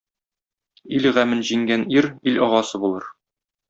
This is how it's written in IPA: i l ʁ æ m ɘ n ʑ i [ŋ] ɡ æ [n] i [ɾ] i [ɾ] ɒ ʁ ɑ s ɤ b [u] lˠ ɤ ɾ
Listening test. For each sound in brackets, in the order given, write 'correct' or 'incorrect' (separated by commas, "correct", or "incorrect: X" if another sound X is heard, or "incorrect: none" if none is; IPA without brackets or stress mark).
correct, correct, correct, incorrect: l, correct